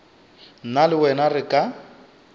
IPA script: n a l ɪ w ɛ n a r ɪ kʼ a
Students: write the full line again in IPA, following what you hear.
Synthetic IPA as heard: n a l ɪ w ɛ n a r ɪ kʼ a